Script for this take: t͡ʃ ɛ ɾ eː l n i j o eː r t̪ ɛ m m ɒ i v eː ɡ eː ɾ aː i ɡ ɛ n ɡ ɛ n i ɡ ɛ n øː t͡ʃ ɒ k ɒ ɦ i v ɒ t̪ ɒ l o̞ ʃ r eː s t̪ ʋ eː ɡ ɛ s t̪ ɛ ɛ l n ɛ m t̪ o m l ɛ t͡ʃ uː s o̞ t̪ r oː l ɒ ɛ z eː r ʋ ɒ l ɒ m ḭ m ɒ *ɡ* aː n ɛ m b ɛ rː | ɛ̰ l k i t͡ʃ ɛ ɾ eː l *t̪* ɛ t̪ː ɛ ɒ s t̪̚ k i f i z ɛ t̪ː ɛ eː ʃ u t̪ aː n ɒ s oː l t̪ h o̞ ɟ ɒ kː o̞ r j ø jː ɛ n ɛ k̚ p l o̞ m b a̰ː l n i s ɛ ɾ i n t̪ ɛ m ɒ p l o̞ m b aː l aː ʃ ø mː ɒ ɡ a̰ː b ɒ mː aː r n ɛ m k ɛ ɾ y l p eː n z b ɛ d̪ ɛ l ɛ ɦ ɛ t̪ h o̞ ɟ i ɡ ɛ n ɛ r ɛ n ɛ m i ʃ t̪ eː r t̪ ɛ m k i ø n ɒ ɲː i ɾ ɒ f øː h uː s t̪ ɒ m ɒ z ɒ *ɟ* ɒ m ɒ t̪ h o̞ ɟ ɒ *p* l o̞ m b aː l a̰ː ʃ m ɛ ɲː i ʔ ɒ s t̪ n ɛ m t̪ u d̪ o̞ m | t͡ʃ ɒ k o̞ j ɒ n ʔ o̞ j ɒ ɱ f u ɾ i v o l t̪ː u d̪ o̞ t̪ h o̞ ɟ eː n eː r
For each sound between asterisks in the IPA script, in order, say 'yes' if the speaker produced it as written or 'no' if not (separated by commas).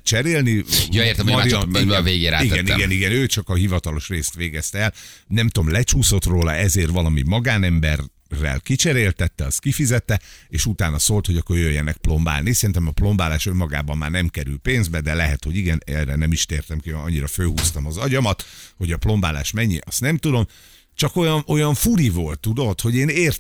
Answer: yes, yes, yes, yes